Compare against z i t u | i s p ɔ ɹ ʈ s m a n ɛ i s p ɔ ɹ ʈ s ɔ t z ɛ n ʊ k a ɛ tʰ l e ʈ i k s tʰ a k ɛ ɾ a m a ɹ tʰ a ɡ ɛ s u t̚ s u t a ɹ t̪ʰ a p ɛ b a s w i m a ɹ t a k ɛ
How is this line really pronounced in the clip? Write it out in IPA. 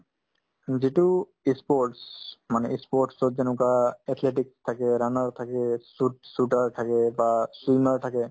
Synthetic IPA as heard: z i t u | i s p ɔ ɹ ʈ s m a n ɛ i s p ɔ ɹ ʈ s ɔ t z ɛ n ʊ k a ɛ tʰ l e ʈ i k s tʰ a k ɛ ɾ a n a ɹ tʰ a k ɛ s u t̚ s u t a ɹ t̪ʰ a k ɛ b a s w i m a ɹ tʰ a k ɛ